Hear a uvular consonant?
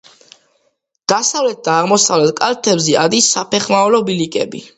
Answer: yes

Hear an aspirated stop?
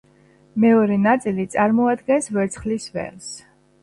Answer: no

